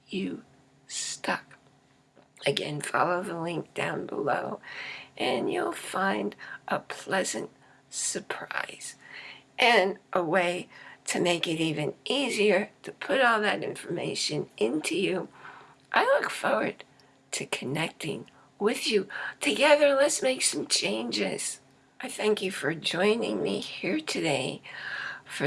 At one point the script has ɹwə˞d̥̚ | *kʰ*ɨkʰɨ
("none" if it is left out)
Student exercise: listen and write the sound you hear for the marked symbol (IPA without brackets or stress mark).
tʰ